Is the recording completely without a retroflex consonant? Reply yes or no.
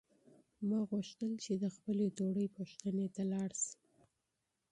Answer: no